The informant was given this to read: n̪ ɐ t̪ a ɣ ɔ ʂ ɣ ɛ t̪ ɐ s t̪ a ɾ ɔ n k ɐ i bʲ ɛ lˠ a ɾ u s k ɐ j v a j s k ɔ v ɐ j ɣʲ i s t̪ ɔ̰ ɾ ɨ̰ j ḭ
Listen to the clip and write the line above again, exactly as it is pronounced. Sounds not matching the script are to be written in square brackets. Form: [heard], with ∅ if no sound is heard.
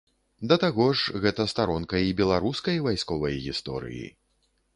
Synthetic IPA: [d̪] ɐ t̪ a ɣ ɔ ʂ ɣ ɛ t̪ ɐ s t̪ a ɾ ɔ n k ɐ i bʲ ɛ lˠ a ɾ u s k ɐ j v a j s k ɔ v ɐ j ɣʲ i s t̪ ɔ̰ ɾ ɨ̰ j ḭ